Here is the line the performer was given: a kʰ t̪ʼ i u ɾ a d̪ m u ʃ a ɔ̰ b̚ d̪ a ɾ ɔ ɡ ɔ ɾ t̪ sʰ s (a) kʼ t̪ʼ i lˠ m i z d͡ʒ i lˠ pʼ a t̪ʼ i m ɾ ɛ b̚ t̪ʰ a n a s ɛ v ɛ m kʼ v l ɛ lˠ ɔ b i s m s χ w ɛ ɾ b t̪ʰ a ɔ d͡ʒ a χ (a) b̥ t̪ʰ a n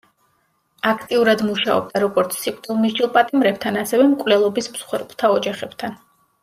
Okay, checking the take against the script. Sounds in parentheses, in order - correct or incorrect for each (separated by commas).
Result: incorrect, incorrect